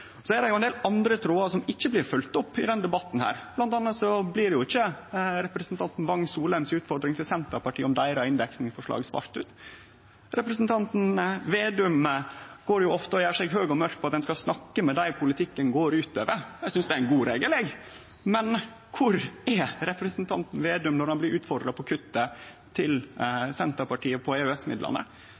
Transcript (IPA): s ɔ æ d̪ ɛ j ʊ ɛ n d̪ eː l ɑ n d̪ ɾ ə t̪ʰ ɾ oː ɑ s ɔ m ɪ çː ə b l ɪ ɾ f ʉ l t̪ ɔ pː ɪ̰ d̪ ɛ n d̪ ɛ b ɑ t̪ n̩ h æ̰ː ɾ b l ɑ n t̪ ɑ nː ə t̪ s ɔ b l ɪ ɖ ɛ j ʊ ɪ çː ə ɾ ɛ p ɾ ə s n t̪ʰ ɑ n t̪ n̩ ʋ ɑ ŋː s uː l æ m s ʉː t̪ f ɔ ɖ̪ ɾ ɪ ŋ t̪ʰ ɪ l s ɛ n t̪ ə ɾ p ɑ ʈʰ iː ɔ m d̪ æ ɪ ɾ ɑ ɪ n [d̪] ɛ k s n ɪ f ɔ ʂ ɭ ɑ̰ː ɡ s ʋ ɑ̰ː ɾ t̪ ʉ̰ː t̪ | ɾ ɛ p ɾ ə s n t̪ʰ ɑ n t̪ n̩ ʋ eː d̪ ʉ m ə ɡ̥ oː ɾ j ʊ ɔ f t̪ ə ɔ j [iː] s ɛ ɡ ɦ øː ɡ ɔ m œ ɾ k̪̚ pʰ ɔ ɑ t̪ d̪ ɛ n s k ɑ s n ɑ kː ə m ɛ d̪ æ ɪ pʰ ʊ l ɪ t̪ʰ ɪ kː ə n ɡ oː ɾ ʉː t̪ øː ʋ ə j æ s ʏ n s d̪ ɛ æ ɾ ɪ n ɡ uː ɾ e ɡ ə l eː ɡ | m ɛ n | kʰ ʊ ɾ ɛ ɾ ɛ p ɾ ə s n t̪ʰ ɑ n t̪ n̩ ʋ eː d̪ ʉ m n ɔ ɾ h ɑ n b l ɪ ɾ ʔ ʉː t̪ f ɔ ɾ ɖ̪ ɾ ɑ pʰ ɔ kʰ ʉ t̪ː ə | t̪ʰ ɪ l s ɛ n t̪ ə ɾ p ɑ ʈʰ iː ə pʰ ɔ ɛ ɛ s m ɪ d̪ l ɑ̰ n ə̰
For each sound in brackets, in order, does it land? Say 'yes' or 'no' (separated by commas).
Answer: yes, no